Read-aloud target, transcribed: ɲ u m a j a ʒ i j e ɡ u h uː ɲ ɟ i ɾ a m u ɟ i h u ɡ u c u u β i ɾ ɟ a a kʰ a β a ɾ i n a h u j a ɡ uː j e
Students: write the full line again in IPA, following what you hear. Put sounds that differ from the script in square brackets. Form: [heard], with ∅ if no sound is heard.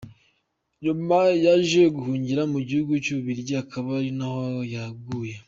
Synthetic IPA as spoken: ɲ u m a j a ʒ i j e ɡ u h uː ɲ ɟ i ɾ a m u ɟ i h u ɡ u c u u β i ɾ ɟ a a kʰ a β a ɾ i n a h [o] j a ɡ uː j e